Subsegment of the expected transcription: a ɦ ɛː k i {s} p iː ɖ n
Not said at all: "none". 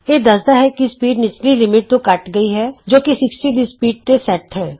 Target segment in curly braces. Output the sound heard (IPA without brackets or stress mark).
s